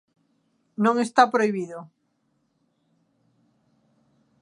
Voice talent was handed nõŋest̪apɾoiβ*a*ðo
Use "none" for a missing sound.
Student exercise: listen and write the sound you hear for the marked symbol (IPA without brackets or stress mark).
i